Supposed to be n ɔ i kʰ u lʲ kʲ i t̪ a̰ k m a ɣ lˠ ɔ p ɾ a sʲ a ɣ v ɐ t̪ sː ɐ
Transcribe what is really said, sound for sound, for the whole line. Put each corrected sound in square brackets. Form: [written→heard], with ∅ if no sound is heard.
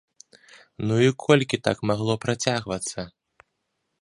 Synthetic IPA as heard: n [ɔ→u] i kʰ [u→ɔ] lʲ kʲ i t̪ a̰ k m a ɣ lˠ ɔ p ɾ a [sʲ→t͡sʲ] a ɣ v ɐ t̪ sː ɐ